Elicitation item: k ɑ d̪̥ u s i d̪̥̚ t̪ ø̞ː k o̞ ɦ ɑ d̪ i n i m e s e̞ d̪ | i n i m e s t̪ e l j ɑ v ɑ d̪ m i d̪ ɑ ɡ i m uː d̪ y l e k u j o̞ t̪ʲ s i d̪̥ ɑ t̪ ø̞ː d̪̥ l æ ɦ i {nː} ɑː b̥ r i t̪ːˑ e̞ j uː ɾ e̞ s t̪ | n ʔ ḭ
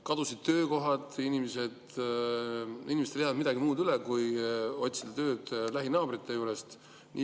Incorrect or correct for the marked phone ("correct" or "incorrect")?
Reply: incorrect